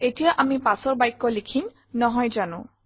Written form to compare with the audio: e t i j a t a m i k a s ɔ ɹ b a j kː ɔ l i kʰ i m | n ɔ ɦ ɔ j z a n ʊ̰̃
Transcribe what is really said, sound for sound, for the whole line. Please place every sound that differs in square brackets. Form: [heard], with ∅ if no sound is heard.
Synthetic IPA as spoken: e t i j a [ʔ] a m i [p] a s ɔ ɹ b a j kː ɔ l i kʰ i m | n ɔ ɦ ɔ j z a n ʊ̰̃